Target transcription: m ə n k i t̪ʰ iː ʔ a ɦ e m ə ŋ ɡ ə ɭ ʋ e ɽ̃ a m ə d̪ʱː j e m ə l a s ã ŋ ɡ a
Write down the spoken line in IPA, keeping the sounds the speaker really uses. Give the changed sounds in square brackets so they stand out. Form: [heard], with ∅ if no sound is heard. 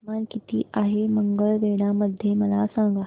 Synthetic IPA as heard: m [a] n k i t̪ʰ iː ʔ a ɦ e m ə ŋ ɡ ə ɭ ʋ e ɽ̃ a m ə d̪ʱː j e m ə l a s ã ŋ ɡ a